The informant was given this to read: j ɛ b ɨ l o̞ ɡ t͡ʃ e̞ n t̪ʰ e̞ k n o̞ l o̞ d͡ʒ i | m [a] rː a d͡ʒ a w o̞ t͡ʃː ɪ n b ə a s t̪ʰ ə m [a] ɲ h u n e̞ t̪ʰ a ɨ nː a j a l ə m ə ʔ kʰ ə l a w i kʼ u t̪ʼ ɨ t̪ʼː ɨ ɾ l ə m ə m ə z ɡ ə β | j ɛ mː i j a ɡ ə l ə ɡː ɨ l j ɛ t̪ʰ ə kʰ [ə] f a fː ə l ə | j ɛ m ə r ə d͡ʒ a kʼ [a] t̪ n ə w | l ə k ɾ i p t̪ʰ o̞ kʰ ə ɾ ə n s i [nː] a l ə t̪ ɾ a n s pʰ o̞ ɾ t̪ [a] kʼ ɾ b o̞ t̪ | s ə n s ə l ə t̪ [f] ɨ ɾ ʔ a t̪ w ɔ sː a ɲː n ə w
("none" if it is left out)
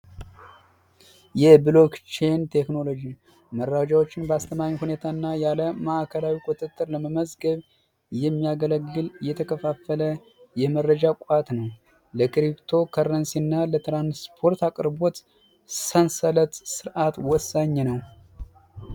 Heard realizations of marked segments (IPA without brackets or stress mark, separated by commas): ə, a, ə, a, nː, a, s